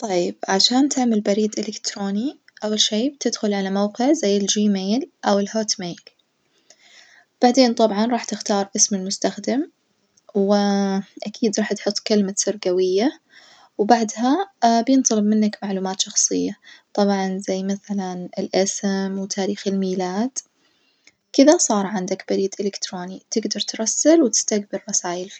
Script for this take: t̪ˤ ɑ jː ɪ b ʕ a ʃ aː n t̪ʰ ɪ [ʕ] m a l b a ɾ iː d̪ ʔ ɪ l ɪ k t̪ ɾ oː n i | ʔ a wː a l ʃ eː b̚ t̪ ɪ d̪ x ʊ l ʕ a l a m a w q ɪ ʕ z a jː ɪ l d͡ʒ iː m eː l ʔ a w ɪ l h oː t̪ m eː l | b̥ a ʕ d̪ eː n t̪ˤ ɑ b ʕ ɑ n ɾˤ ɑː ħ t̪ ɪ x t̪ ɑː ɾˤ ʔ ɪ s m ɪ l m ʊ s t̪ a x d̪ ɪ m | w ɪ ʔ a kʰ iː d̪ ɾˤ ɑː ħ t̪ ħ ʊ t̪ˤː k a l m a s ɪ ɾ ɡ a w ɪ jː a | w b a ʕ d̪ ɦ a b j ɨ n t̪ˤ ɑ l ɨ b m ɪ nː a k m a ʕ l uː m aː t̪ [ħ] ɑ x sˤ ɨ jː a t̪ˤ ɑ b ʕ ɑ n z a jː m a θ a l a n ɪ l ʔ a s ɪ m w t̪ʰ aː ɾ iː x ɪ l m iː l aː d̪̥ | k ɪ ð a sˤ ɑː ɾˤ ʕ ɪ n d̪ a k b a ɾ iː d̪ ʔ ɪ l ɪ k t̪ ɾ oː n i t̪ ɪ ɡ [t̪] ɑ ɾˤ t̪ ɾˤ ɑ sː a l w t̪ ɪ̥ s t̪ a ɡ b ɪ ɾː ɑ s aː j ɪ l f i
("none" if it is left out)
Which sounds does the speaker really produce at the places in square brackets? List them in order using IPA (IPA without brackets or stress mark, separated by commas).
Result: ʕ, ʃ, d̪